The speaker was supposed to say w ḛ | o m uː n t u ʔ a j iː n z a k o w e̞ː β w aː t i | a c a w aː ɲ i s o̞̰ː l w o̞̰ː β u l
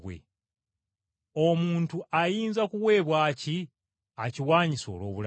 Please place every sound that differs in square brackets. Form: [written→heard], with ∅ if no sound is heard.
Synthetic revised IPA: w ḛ | o m uː n t u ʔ a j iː n z a k [o→u] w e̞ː β w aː [t→c] i | a c [a→i] w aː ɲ i s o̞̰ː l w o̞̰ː β u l

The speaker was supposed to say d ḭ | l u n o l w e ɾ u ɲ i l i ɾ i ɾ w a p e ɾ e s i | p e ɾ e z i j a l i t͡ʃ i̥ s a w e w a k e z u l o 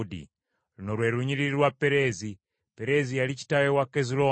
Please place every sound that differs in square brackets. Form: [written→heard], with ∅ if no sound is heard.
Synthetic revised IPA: d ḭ | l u n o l w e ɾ u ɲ i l i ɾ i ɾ w a p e ɾ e [s→z] i | p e ɾ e z i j a l i t͡ʃ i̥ [s→t] a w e w a k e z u l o

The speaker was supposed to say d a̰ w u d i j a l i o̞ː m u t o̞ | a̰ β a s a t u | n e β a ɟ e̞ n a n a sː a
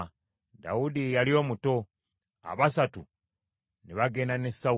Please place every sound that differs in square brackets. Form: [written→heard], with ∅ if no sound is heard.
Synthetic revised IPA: d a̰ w u d i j a l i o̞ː m u t o̞ | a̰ β a s a t u | n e β a [ɟ→ɡ] e̞ n a n [a→e] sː a

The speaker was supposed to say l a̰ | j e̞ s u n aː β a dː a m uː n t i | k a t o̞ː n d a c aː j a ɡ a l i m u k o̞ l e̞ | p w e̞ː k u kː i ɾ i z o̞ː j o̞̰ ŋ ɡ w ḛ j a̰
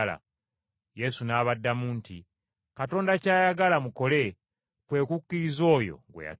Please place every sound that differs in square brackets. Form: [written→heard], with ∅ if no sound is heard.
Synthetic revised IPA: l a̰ | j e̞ s u n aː β a dː a m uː n t i | k a t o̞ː n d a c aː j a ɡ a l [i→a] m u k o̞ l e̞ | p w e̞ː k u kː i ɾ i z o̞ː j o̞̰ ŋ ɡ w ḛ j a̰

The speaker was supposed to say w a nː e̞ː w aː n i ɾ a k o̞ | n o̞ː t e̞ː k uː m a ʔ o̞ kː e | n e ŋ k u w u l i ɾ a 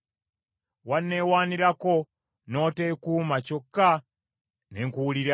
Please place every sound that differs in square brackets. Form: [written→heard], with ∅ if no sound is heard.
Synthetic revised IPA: w a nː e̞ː w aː n i ɾ a k o̞ | n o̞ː t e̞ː k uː m a [ʔ→c] o̞ kː [e→a] | n e ŋ k u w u l i ɾ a

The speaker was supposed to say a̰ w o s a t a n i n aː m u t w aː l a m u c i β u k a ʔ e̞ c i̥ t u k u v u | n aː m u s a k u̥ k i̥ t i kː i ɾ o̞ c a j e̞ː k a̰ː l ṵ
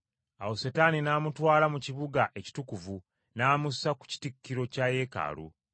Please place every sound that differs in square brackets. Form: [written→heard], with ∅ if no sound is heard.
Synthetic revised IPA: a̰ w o s [a→e] t a n i n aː m u t w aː l a m u c i β u [k→ɡ] a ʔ e̞ c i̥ t u k u v u | n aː m u s a k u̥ [k→c] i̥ t i kː i ɾ o̞ c a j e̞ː k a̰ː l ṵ

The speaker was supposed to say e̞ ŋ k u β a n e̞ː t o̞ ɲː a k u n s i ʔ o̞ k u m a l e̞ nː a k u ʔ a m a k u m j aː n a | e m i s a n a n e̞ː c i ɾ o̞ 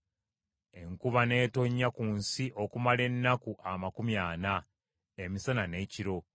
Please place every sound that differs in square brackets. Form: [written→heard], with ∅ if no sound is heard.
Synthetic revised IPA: e̞ ŋ k u β a n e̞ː t o̞ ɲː a k u n s i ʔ o̞ k u m a l e̞ nː a k u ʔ a m a k u m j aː n a | e m i s a n a n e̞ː c i ɾ o̞

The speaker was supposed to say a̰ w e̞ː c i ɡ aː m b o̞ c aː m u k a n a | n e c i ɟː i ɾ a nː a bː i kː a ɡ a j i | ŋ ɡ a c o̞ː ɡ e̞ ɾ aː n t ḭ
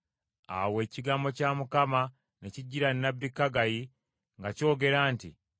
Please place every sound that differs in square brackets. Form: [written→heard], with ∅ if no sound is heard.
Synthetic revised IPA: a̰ w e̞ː c i ɡ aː m b o̞ c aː m u k a [n→m] a | n e c i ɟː i ɾ a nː a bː i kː a ɡ a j i | ŋ ɡ a c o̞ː ɡ e̞ ɾ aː n t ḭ

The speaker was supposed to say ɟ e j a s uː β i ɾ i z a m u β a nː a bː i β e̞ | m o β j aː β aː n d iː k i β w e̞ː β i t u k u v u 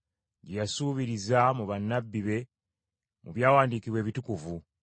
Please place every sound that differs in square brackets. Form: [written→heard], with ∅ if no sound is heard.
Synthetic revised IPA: ɟ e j a s uː β i ɾ i z a m u β a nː a bː i β e̞ | m [o→u] β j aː [β→w] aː n d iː k i β w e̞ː β i t u k u v u

